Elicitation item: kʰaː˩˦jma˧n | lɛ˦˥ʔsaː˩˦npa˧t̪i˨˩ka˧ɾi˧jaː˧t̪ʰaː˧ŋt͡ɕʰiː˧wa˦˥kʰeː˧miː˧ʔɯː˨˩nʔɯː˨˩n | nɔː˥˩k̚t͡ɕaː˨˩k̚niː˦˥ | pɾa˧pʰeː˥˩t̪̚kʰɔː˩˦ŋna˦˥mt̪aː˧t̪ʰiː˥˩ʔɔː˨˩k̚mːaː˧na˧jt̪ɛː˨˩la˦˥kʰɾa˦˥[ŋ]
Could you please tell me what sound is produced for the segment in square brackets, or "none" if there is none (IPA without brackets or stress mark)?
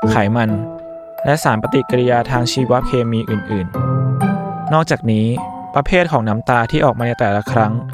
ŋ